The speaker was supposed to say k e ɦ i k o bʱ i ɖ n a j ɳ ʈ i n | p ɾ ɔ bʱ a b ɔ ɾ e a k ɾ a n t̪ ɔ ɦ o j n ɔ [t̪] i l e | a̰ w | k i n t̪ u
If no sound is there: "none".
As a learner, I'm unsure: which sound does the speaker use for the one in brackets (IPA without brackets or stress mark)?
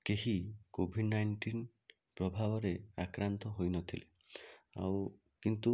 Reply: t̪ʰ